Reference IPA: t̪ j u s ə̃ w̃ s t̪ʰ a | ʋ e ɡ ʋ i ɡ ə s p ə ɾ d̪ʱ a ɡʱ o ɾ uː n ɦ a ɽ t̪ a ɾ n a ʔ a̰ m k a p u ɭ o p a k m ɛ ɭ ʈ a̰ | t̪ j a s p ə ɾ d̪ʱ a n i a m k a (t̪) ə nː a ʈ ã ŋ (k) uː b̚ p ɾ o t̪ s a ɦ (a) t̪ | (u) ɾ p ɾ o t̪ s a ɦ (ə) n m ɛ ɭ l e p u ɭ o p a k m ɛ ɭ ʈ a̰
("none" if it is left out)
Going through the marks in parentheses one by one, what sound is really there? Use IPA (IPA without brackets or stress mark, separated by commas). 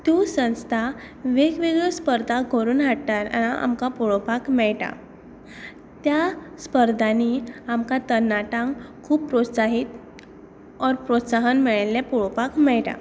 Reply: t̪, kʰ, i, ɔ, ə